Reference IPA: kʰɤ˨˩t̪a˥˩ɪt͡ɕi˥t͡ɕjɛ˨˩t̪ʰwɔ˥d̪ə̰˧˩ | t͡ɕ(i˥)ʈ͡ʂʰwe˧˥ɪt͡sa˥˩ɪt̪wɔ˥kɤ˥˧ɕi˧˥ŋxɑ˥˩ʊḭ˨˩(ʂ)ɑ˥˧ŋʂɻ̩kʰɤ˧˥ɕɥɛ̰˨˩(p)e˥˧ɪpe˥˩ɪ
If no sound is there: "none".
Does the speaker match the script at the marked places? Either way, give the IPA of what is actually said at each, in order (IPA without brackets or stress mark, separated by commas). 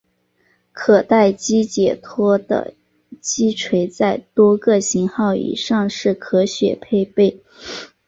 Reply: i˥, ʂ, pʰ